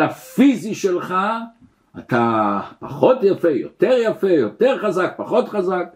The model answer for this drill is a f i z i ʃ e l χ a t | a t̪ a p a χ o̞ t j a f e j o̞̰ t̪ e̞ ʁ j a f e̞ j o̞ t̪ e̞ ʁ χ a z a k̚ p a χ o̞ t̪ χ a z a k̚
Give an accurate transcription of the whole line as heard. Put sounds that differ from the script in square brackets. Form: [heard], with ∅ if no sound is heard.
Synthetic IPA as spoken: a f i z i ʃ e l χ a [∅] | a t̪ a p a χ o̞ t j a f e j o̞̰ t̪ e̞ ʁ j a f e̞ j o̞ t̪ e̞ ʁ χ a z a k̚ p a χ o̞ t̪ χ a z a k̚